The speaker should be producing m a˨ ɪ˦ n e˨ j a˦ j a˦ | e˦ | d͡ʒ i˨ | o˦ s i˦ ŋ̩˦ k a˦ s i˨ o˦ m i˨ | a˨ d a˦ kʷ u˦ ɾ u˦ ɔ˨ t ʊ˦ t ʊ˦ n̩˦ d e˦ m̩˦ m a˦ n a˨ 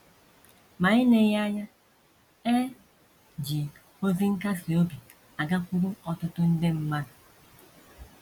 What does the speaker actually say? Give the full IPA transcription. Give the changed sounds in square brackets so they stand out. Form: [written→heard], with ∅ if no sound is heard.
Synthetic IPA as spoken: m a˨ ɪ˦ n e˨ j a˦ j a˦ | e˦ | d͡ʒ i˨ | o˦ [s→z] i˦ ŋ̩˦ k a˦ s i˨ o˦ [m→b] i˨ | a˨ [d→ɡ] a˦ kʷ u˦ ɾ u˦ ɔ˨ t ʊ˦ t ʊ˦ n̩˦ d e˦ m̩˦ m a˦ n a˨